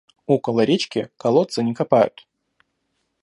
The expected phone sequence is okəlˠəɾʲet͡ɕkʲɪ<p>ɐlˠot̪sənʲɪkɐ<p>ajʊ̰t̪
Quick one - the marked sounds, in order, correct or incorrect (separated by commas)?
incorrect, correct